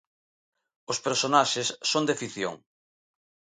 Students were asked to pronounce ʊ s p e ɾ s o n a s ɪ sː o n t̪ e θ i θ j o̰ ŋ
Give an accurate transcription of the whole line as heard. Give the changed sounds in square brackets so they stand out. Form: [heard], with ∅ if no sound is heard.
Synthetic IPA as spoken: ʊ s p e ɾ s o n a [ʃ] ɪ sː o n [d̪] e [f] i θ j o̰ ŋ